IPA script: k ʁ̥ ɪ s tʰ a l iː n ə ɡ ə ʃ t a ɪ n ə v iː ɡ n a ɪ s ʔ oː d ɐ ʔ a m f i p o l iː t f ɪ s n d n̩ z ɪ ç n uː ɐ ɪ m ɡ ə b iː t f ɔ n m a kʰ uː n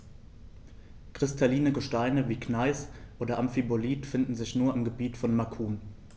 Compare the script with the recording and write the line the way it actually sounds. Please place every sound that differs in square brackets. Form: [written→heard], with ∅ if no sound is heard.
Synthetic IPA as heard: k ʁ̥ ɪ s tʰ a l iː n ə ɡ ə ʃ t a ɪ n ə v iː [ɡ→k] n a ɪ s ʔ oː d ɐ ʔ a m f i [p→b] o l iː t f ɪ [s→∅] n d n̩ z ɪ ç n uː ɐ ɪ m ɡ ə b iː t f ɔ n m a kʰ uː n